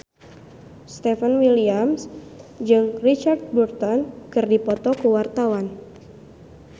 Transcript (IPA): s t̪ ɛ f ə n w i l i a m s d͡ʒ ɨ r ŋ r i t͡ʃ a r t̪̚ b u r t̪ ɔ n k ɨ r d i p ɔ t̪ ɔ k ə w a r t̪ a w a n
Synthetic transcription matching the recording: s t̪ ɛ f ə n w i l i a m s d͡ʒ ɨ ŋ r i t͡ʃ a r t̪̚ b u r t̪ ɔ n k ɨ r d i p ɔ t̪ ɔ k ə w a r t̪ a w a n